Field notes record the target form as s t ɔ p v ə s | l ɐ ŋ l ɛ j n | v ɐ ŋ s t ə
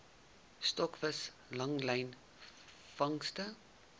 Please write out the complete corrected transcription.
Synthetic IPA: s t ɔ k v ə s | l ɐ ŋ l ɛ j n | f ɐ ŋ s t ə